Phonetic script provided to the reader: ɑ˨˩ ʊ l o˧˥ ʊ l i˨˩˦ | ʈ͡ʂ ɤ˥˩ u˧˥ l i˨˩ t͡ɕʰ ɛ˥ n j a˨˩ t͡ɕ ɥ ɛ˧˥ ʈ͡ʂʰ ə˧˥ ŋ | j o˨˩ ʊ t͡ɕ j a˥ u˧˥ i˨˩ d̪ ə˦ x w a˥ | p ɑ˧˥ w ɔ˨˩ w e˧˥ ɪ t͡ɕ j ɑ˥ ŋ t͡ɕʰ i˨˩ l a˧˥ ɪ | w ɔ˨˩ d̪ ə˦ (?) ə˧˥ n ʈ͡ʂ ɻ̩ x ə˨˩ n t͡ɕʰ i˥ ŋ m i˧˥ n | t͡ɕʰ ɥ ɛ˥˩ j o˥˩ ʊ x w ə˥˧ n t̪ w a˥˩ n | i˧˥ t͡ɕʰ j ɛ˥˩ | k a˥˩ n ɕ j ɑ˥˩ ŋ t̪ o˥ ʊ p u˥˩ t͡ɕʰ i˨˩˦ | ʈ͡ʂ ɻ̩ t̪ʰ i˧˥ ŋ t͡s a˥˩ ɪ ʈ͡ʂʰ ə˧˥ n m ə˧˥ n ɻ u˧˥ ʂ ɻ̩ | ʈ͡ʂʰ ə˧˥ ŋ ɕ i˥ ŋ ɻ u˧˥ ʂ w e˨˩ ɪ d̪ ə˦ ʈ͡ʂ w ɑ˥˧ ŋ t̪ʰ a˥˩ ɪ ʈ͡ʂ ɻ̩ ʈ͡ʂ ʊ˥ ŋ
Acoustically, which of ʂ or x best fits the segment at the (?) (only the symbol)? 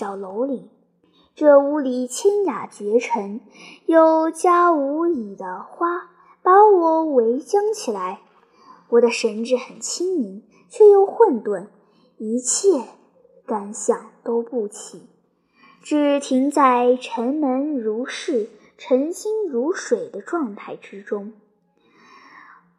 ʂ